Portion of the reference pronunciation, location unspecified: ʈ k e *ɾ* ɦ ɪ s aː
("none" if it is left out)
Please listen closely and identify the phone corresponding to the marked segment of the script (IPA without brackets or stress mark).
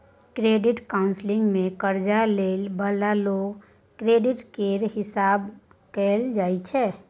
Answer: ɾ